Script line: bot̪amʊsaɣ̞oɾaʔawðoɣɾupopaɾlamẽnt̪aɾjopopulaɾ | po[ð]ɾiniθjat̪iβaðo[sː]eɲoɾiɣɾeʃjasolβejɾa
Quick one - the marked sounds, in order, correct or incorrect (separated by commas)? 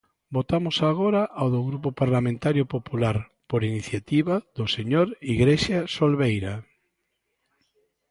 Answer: incorrect, incorrect